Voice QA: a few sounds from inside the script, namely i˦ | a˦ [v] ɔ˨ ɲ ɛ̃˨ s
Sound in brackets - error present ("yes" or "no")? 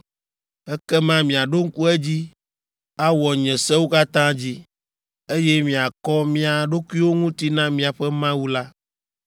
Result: yes